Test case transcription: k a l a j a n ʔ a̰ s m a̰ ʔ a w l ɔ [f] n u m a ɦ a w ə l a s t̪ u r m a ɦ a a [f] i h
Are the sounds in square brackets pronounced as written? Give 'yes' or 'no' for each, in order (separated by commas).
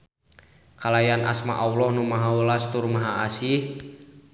no, no